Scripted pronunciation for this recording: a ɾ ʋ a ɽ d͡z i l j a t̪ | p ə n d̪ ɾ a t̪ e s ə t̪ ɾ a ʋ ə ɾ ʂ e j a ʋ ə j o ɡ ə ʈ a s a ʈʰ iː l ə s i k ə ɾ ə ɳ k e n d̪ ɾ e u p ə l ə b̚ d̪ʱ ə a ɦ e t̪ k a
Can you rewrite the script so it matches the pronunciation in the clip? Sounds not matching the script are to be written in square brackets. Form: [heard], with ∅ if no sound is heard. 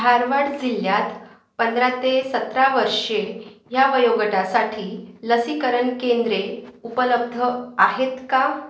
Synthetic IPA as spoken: a ɾ ʋ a ɽ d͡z i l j a t̪ | p ə n d̪ ɾ a t̪ e s ə t̪ ɾ a ʋ ə ɾ ʂ e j a ʋ ə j o ɡ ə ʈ a s a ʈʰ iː l ə s i k ə ɾ ə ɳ k e n d̪ ɾ e u p ə l ə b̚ d̪ʱ ə a ɦ e t̪ k a